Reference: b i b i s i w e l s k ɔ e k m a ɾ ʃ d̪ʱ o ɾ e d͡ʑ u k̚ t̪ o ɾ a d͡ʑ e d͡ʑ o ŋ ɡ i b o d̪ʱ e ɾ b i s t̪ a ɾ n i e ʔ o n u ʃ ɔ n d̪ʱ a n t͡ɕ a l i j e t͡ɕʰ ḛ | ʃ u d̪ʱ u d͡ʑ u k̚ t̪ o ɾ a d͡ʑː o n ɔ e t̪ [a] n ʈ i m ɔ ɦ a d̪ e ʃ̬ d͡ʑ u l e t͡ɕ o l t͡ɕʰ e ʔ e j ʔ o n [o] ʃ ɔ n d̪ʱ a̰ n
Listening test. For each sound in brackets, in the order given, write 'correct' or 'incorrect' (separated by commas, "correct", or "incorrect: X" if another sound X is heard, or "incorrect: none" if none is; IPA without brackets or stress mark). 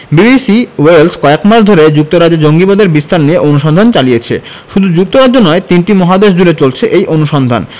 incorrect: i, incorrect: u